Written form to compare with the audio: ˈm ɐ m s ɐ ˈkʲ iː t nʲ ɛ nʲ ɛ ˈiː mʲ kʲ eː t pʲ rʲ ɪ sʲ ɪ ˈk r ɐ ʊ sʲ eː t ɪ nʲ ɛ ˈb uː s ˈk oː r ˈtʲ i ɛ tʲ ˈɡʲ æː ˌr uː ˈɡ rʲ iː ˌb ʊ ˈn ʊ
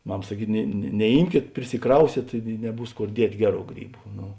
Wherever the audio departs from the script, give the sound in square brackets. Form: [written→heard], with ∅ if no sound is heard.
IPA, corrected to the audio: ˈm ɐ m s ɐ ˈkʲ iː t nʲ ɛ nʲ ɛ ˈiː mʲ kʲ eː t pʲ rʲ ɪ sʲ ɪ ˈk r ɐ ʊ sʲ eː t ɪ nʲ ɛ ˈb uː s ˈk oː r [ˈtʲ→ˈdʲ] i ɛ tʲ ˈɡʲ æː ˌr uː ˈɡ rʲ iː ˌb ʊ ˈn ʊ